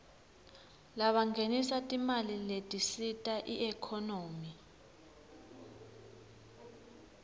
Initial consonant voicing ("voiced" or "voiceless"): voiced